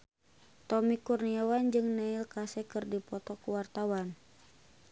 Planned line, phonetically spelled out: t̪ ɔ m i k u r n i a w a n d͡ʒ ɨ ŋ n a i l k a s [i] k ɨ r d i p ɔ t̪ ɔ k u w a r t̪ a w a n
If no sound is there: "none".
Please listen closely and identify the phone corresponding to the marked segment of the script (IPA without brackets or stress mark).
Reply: ɛ